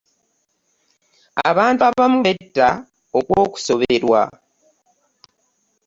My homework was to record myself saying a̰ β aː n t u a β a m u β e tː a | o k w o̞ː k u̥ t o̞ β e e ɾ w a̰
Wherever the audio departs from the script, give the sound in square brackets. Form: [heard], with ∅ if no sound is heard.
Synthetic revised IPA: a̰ β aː n t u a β a m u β e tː a | o k w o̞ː k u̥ [s] o̞ β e e ɾ w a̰